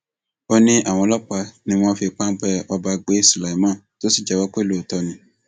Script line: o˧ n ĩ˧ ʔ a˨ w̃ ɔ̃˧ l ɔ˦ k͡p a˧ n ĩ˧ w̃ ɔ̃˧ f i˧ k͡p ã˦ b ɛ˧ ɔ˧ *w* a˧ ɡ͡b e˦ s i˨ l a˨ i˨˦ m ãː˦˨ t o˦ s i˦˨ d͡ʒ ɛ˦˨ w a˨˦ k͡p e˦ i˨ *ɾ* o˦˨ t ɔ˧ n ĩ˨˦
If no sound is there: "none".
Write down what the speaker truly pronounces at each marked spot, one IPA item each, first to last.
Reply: b, l

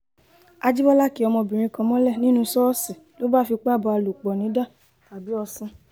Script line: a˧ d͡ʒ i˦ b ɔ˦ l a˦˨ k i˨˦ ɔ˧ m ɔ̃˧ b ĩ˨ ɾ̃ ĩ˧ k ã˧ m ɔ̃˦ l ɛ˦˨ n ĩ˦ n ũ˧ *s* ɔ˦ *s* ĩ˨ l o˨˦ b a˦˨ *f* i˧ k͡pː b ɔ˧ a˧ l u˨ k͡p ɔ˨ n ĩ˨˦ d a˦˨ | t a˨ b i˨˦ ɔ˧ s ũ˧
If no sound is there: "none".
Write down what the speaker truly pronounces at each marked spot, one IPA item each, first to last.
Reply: s, s, f

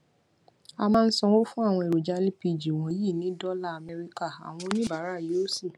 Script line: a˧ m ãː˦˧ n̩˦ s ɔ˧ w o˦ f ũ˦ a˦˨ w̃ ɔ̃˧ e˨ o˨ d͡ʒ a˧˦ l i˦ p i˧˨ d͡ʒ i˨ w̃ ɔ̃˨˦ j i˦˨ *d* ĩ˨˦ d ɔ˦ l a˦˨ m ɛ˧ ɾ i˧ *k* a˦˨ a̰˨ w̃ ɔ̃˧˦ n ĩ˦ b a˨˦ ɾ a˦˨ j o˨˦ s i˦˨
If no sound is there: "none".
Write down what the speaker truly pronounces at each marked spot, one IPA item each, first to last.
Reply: n, k

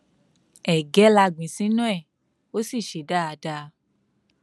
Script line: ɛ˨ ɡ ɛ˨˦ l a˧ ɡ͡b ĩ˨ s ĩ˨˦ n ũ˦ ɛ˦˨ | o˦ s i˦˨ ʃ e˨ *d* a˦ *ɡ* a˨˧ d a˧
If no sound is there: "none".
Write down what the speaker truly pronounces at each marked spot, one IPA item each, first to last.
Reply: d, none

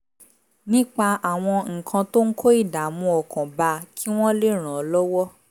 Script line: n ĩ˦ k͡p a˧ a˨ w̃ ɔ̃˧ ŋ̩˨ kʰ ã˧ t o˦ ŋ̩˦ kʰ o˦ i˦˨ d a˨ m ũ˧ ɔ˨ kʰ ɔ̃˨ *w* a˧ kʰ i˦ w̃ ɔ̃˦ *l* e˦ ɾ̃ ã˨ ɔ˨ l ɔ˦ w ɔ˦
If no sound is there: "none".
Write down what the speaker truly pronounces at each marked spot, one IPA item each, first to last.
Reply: b, l

